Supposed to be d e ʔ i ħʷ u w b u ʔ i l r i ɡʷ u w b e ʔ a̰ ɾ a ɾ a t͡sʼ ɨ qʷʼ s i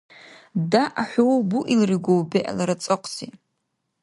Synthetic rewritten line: d a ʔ a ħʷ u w b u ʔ i l r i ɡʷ o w b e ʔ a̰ l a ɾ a t͡sʼ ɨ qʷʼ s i